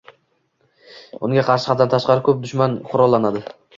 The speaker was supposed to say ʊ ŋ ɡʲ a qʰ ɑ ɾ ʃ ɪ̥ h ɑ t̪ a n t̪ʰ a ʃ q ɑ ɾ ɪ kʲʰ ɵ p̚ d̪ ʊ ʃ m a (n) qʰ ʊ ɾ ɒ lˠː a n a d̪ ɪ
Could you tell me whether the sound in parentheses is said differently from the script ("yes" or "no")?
no